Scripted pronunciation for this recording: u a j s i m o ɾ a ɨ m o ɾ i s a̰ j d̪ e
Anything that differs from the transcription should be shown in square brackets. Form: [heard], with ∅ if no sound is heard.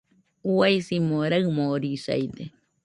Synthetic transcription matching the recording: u a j s i m o ɾ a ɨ m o ɾ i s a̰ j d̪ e